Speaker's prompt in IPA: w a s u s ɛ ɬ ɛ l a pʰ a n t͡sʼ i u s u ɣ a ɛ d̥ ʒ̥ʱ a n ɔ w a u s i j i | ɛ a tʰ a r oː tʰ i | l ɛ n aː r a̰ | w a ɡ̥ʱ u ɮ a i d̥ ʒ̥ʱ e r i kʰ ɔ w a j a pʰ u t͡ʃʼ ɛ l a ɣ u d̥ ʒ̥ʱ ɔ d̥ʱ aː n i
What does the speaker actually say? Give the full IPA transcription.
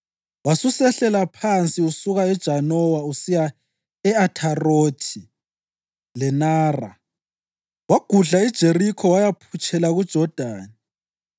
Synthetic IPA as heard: w a s u s ɛ ɬ ɛ l a pʰ a n t͡sʼ i u s u ɣ a ɛ d̥ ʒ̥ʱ a n ɔ w a u s i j a | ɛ a tʰ a r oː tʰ i | l ɛ n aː r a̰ | w a ɡ̥ʱ u ɮ a i d̥ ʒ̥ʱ e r i kʰ ɔ w a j a pʰ u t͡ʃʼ ɛ l a ɣ u d̥ ʒ̥ʱ ɔ d̥ʱ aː n i